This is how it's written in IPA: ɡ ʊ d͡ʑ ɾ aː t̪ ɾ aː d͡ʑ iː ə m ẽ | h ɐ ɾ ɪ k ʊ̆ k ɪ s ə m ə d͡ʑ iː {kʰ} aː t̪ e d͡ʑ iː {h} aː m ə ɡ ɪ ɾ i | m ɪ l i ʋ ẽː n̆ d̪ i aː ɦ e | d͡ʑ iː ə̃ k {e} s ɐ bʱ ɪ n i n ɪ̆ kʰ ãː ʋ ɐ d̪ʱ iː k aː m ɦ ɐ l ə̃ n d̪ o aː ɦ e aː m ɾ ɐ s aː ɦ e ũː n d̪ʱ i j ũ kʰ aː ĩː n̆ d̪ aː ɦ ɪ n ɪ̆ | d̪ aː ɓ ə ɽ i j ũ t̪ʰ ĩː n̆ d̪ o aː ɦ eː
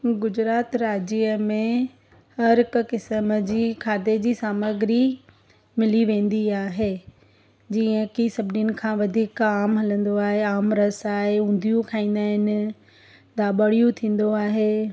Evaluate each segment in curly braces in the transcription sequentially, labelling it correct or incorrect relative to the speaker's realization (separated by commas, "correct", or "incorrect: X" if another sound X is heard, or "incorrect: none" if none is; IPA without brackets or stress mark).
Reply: correct, incorrect: s, incorrect: i